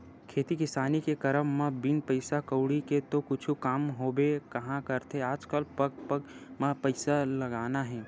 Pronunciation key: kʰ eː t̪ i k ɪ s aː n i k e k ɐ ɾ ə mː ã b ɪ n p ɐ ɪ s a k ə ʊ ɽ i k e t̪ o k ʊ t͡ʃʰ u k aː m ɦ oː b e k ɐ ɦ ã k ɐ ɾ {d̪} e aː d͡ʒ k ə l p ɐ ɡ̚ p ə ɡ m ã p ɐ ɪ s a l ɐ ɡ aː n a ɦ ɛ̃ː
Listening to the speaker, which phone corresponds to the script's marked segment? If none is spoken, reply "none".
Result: t̪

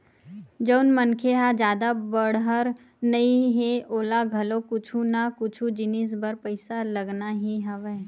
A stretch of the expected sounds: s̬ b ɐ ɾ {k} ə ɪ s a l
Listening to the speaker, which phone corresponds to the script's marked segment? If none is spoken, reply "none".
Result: p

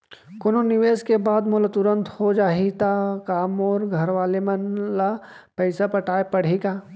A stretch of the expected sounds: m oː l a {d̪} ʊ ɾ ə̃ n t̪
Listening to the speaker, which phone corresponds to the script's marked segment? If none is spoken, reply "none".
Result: t̪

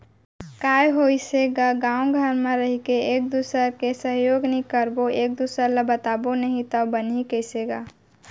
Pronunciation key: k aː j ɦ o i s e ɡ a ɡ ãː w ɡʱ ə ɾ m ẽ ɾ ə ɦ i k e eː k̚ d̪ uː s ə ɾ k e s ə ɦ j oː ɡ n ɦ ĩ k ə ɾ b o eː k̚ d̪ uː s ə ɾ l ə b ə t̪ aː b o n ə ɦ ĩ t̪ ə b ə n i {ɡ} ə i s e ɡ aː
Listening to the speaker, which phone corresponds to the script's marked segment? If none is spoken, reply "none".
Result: k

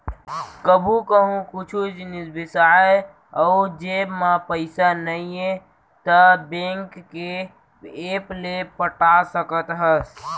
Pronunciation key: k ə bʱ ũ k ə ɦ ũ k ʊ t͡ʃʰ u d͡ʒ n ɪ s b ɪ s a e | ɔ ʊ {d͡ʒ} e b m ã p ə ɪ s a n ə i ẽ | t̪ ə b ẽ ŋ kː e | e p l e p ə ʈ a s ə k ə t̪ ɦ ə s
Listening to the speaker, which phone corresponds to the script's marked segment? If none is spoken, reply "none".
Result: d͡ʒ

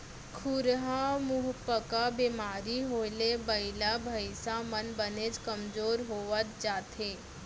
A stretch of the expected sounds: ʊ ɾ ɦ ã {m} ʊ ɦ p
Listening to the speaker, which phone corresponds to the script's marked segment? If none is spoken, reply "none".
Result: m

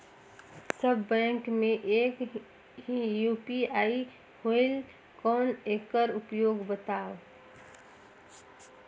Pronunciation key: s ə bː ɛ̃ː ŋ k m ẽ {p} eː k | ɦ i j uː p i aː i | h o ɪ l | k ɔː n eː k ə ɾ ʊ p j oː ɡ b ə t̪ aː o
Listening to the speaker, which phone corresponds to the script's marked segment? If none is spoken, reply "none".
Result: ʔ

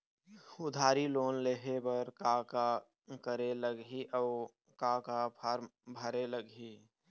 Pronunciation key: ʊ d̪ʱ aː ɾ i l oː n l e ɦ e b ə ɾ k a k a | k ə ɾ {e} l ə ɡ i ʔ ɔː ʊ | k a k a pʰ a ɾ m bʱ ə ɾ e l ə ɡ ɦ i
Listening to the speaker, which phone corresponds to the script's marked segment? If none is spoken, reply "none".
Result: e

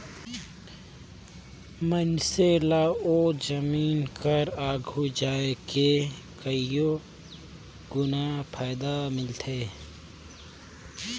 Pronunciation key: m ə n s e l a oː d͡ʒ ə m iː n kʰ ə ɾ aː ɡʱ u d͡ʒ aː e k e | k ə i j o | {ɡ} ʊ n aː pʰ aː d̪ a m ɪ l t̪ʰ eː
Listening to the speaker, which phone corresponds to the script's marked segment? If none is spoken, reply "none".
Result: ɡ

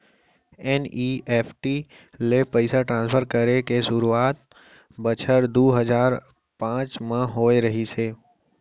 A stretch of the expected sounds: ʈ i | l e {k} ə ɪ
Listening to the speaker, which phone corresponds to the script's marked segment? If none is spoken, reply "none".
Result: p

